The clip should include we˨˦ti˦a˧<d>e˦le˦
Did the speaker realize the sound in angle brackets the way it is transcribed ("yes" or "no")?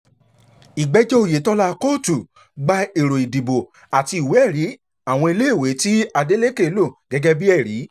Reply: yes